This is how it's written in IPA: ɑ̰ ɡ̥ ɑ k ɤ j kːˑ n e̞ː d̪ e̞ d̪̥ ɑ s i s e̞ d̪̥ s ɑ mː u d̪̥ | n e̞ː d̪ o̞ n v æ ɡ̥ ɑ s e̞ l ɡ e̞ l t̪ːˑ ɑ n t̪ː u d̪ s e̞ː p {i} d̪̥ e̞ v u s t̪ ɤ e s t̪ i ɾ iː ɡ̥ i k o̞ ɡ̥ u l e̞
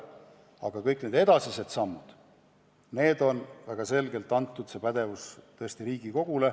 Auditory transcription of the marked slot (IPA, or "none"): æ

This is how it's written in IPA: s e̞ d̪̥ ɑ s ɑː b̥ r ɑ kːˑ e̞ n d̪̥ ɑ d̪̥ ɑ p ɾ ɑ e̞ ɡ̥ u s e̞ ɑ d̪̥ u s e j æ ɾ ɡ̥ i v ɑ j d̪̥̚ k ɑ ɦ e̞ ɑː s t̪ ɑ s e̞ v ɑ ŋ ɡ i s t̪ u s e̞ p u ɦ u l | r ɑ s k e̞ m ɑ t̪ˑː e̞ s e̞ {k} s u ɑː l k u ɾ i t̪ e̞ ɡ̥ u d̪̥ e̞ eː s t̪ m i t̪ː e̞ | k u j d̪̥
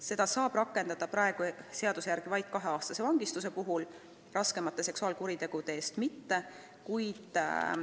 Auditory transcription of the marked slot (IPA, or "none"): k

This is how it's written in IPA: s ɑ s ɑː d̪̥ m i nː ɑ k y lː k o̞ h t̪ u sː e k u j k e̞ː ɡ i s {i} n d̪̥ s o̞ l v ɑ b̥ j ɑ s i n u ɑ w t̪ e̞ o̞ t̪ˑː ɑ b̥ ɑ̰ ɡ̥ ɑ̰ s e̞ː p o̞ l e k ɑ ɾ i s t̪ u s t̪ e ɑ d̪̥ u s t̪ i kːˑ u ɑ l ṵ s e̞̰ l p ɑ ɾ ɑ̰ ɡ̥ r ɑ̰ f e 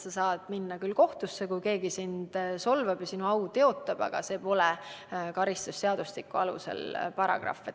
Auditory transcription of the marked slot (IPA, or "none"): i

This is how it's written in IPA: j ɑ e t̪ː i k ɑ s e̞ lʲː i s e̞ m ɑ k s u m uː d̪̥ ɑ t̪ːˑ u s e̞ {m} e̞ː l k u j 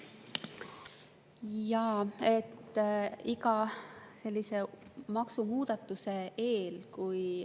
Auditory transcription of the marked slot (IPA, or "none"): none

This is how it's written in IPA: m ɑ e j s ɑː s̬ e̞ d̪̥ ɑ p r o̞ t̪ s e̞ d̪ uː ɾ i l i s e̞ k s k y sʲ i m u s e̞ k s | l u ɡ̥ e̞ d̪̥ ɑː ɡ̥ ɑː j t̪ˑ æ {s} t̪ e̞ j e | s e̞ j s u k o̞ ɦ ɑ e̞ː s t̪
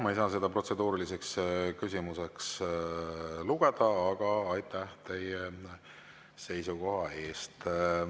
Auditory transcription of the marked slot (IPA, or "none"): h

